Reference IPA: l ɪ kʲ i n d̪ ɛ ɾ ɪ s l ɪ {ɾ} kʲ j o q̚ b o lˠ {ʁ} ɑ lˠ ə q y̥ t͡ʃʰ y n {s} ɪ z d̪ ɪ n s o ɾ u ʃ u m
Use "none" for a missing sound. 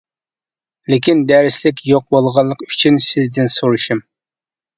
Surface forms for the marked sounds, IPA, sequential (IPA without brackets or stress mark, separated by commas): none, ʁ, s